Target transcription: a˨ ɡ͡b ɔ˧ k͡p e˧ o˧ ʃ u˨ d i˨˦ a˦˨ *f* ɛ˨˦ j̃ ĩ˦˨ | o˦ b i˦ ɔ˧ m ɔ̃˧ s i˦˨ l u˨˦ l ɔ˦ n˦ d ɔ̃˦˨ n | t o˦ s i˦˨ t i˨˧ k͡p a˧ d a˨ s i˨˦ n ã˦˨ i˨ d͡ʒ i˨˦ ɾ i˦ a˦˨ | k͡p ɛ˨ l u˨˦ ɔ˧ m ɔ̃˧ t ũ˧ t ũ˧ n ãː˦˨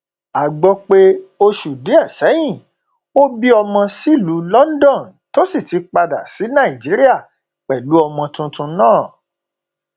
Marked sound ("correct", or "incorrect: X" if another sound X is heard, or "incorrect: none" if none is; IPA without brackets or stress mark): incorrect: s